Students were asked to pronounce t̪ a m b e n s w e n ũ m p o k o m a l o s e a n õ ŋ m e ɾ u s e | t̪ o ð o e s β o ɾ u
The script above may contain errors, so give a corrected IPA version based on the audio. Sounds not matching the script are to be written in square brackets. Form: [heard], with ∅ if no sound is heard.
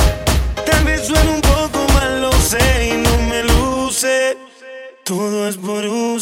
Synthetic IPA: t̪ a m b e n s w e n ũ m p o k o m a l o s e [i] n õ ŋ m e [l] u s e | t̪ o ð o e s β o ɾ u